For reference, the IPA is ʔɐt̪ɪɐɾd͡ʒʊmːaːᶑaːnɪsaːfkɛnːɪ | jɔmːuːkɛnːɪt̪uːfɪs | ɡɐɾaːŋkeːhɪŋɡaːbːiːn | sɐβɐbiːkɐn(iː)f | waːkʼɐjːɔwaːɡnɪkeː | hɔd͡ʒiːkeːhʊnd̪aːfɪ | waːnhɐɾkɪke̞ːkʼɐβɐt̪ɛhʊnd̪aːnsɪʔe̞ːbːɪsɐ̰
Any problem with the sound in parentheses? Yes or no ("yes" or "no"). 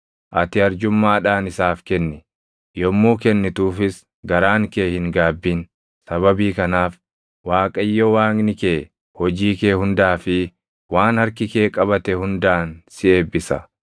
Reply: yes